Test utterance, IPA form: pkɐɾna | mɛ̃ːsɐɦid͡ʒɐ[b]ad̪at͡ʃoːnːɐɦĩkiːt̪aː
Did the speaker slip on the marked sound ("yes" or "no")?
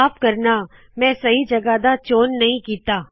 yes